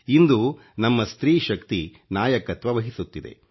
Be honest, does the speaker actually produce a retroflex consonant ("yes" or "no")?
no